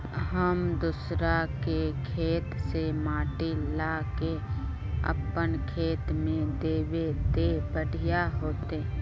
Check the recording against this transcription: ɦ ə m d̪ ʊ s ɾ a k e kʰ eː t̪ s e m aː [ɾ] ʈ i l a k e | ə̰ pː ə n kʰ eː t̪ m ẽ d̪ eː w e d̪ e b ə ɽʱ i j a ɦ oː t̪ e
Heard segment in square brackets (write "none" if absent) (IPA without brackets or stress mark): none